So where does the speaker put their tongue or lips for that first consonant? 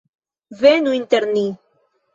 lips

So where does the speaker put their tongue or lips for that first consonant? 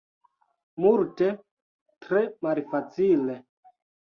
lips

